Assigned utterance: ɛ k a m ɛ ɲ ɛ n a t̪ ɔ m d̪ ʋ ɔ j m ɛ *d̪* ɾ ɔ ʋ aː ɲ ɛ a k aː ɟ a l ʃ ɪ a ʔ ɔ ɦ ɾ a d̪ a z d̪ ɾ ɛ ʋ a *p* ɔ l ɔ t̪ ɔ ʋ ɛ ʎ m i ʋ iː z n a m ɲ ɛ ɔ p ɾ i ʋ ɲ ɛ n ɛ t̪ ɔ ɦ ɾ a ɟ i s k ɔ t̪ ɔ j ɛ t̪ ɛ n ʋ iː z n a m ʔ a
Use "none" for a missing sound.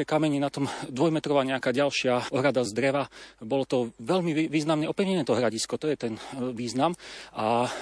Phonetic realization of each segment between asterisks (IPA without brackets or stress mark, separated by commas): t̪, b